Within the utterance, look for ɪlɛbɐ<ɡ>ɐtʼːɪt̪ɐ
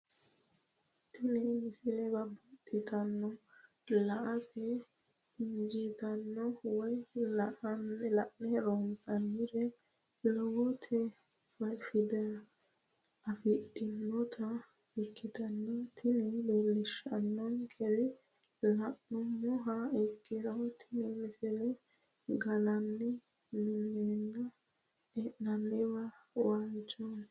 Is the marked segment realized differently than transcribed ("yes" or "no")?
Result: yes